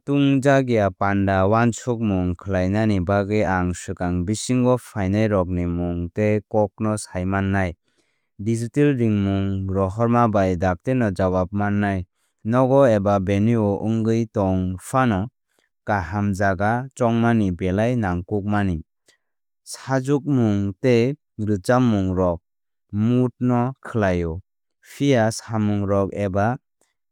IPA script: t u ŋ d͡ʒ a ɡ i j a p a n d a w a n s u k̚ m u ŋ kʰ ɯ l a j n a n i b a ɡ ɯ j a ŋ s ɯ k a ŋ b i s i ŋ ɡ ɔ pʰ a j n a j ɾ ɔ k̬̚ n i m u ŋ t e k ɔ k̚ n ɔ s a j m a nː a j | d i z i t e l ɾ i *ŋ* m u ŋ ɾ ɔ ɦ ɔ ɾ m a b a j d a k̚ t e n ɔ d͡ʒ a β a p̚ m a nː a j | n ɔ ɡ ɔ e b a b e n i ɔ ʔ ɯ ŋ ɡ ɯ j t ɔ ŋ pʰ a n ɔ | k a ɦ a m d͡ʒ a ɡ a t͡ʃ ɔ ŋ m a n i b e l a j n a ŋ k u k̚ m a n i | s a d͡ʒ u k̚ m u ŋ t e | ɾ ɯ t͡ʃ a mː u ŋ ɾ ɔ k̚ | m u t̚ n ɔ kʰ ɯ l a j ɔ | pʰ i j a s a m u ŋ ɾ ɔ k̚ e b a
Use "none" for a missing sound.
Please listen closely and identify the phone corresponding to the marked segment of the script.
ŋ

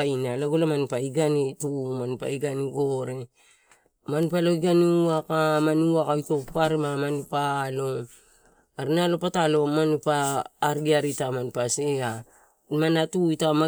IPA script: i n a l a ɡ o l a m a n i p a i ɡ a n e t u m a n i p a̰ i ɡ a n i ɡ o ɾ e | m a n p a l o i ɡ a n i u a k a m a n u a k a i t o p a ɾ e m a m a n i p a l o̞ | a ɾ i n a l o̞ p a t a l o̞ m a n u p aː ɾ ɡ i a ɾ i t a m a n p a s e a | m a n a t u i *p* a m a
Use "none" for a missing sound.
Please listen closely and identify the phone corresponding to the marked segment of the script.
t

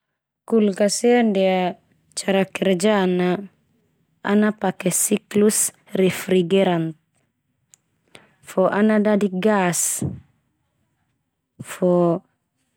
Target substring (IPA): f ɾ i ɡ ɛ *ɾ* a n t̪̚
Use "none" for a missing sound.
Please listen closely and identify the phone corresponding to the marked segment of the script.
ɾ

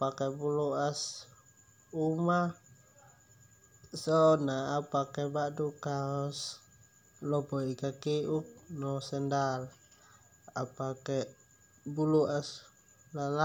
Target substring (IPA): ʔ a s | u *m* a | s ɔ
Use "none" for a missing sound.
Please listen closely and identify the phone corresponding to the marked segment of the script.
m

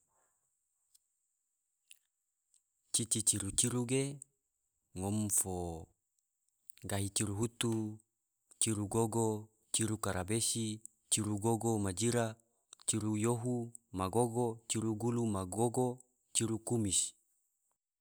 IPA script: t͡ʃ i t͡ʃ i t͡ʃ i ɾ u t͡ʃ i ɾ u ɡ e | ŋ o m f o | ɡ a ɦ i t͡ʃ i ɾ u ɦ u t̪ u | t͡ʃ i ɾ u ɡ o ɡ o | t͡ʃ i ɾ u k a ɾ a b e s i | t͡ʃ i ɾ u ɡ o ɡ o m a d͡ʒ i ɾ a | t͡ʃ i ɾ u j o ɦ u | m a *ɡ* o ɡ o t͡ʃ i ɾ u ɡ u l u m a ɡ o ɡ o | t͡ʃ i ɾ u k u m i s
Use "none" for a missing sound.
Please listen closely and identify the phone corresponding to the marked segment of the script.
ɡ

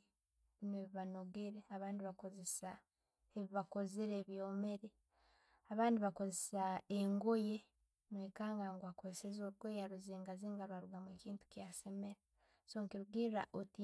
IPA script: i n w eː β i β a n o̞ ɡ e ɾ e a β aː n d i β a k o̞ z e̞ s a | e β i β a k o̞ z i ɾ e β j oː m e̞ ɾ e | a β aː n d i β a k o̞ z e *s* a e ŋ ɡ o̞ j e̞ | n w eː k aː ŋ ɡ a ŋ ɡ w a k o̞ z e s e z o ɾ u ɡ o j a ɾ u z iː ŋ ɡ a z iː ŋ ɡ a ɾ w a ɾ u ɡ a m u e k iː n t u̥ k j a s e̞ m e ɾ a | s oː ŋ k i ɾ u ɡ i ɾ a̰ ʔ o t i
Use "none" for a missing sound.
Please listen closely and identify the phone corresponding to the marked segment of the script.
s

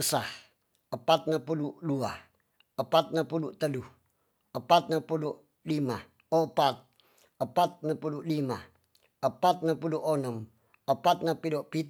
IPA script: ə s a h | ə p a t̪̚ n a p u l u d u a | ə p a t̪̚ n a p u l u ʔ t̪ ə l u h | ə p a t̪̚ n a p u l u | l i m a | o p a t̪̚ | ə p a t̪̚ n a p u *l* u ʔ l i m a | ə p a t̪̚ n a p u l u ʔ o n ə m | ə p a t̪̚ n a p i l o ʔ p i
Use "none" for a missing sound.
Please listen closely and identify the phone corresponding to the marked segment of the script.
l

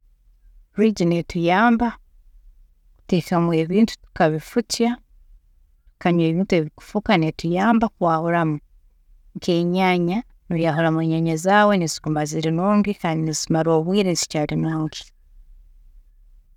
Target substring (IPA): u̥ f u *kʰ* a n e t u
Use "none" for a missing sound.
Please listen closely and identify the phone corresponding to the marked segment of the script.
k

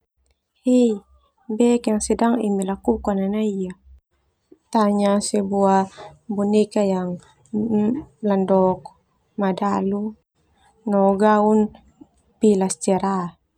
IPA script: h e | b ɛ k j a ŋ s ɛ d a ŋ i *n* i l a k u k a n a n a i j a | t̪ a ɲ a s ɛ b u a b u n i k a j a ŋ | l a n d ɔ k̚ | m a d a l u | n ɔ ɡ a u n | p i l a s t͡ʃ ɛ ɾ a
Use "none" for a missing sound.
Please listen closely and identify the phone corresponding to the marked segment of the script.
m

